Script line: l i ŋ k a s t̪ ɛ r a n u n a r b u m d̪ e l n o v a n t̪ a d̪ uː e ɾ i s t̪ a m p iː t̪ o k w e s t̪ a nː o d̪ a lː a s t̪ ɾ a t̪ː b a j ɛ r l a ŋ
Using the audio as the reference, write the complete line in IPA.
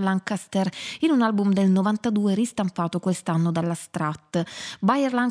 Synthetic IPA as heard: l a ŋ k a s t̪ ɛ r i n u n a l b u m d̪ e l n o v a n t̪ a d̪ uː e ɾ i s t̪ a m p aː t̪ o k w e s t̪ a nː o d̪ a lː a s t̪ ɾ a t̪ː b a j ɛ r l a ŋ